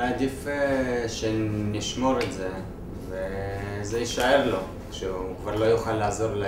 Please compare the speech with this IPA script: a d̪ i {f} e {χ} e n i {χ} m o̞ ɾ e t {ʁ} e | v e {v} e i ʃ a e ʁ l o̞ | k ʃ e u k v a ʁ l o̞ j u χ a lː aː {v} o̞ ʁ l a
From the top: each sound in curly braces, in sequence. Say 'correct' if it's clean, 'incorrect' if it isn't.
correct, incorrect: ʃ, incorrect: ʃ, incorrect: z, incorrect: z, incorrect: z

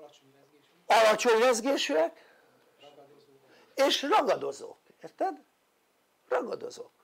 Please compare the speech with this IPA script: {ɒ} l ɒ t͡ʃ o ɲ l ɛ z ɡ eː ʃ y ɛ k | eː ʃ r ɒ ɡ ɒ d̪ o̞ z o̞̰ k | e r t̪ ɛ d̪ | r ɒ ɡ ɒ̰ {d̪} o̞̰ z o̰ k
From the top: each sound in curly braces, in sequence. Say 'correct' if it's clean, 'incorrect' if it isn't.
correct, correct

